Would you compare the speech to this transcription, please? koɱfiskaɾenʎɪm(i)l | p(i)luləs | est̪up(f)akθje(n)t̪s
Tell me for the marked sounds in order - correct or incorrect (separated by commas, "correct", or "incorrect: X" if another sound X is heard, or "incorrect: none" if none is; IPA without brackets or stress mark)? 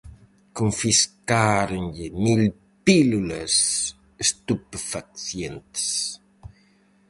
correct, correct, correct, correct